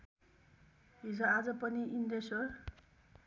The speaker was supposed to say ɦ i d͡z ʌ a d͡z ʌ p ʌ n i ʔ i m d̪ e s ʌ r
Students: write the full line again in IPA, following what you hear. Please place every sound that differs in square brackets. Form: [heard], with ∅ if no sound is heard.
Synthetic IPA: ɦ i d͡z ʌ a d͡z ʌ p ʌ n i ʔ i [n] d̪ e s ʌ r